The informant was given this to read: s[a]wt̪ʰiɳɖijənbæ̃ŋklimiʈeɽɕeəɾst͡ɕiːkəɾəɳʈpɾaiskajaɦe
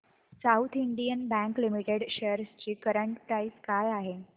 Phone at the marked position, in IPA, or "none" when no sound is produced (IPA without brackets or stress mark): a